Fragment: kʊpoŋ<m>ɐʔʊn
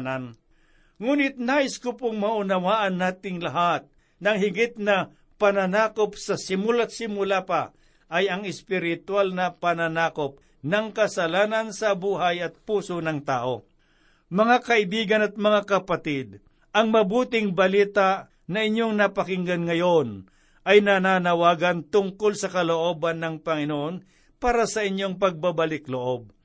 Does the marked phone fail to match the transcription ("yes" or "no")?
no